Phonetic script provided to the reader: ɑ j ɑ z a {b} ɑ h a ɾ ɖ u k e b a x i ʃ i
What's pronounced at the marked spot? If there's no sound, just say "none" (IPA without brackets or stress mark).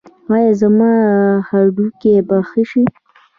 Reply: m